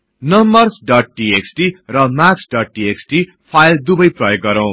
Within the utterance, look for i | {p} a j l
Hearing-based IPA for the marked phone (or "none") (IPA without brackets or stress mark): pʰ